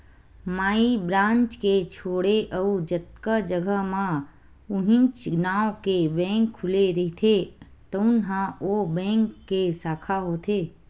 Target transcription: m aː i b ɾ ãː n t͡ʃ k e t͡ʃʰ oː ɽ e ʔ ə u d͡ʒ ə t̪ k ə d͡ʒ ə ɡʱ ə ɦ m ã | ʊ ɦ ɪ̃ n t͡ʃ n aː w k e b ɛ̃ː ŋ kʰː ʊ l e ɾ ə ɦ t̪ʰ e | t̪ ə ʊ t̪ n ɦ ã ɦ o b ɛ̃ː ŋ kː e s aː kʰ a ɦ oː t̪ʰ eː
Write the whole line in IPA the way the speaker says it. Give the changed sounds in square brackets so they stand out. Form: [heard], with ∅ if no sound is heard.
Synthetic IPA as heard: m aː i b ɾ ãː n t͡ʃ k e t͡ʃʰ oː ɽ e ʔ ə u d͡ʒ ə t̪ k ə d͡ʒ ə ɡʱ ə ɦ m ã | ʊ ɦ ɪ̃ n t͡ʃ n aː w k e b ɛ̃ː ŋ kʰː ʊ l e ɾ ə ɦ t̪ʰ e | t̪ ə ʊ [∅] n ɦ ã [∅] o b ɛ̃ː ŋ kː e s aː kʰ a ɦ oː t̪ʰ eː